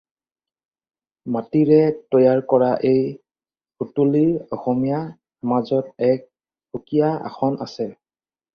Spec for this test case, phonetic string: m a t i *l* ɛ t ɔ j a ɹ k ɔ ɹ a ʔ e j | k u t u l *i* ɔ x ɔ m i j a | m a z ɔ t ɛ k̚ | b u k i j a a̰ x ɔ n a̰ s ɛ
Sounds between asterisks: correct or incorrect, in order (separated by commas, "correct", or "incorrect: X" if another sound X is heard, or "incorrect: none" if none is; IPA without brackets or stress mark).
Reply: incorrect: ɹ, correct